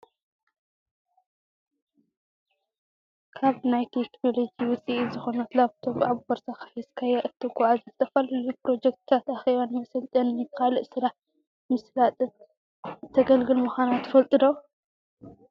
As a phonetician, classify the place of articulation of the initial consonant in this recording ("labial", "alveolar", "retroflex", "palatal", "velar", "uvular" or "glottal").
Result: velar